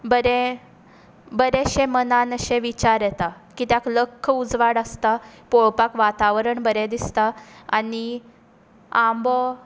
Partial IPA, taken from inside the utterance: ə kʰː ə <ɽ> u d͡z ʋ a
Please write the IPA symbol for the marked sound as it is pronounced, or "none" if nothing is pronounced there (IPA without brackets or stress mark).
none